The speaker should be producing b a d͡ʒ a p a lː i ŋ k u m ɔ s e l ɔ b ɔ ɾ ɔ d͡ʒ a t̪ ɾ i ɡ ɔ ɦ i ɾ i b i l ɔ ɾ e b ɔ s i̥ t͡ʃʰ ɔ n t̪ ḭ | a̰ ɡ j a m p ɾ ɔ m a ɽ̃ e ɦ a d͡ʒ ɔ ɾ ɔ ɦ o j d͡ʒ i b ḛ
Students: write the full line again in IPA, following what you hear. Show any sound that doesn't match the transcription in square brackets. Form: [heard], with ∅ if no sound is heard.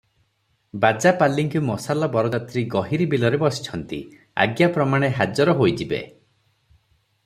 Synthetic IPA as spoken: b a d͡ʒ a p a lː i ŋ k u m ɔ s [a] l ɔ b ɔ ɾ ɔ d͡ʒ a t̪ ɾ i ɡ ɔ ɦ i ɾ i b i l ɔ ɾ e b ɔ s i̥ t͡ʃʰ ɔ n t̪ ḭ | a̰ ɡ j a [∅] p ɾ ɔ m a ɽ̃ e ɦ a d͡ʒ ɔ ɾ ɔ ɦ o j d͡ʒ i b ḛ